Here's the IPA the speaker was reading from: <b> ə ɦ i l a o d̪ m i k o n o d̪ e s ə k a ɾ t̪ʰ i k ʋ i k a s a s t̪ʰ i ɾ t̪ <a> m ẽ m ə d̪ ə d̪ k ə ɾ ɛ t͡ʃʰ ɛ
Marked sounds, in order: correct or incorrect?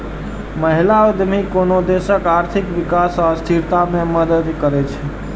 incorrect: m, correct

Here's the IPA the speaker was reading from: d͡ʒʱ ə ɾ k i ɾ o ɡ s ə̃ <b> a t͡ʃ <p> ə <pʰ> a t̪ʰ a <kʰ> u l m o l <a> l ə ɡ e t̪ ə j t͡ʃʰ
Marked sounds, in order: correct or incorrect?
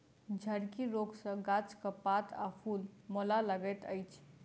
incorrect: ɡ, incorrect: k, incorrect: p, incorrect: pʰ, correct

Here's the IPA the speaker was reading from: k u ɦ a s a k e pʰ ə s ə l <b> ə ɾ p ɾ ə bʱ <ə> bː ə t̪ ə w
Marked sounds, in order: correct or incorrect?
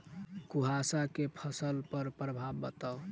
incorrect: p, incorrect: a

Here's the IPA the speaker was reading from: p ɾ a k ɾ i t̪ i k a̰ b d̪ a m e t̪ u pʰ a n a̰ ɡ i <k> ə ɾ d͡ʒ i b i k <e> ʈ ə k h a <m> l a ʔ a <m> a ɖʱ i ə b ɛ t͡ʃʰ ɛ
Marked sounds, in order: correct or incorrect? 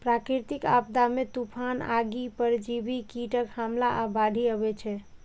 incorrect: p, incorrect: i, correct, incorrect: b

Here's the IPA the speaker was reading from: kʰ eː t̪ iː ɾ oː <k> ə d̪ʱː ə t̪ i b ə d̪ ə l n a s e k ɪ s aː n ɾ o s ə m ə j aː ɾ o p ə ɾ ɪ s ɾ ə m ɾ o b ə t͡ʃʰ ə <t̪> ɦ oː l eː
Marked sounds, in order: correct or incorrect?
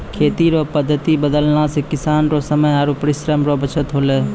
incorrect: p, correct

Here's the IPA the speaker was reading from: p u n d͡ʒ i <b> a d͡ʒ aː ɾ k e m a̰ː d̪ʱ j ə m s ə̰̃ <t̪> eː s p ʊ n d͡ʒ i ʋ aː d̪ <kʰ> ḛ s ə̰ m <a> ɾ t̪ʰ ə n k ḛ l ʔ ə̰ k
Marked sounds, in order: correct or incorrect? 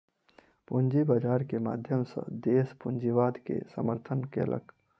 correct, incorrect: d̪, incorrect: k, incorrect: ə

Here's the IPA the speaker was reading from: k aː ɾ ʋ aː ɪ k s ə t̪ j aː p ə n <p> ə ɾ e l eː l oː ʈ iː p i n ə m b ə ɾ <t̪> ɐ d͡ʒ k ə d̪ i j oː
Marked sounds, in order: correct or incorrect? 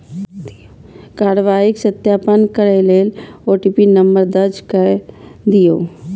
incorrect: k, incorrect: d̪

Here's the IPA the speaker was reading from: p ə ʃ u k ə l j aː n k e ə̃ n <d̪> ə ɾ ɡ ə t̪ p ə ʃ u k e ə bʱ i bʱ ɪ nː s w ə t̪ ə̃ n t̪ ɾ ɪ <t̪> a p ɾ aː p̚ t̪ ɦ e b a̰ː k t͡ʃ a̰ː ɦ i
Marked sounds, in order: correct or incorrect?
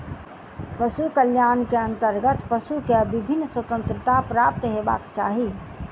incorrect: t̪, correct

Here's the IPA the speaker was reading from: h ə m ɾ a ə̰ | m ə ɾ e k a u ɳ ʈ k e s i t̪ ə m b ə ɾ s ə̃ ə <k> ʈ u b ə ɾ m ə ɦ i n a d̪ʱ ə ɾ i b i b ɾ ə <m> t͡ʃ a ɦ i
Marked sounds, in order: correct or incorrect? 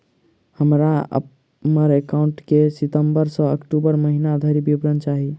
correct, incorrect: n

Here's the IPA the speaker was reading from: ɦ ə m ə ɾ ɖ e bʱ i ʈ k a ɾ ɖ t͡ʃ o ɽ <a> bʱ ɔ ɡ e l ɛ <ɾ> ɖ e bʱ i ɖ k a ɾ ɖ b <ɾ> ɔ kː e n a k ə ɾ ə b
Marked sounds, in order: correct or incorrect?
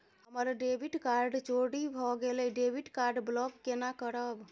incorrect: i, incorrect: none, incorrect: l

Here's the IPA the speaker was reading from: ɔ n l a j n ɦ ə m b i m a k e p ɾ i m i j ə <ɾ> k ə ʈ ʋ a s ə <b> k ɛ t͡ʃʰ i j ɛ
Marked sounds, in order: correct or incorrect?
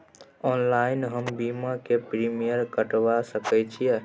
correct, incorrect: none

